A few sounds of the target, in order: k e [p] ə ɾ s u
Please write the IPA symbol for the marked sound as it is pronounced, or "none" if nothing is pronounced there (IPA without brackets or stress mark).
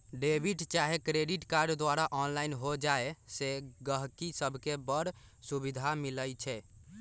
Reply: b